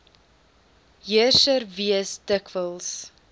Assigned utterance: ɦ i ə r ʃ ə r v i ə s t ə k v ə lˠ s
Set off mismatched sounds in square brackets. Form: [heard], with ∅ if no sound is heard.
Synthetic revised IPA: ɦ i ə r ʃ ə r v i ə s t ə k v ə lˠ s